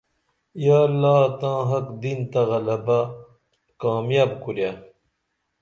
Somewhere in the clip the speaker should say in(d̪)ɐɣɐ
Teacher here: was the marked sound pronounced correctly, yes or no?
no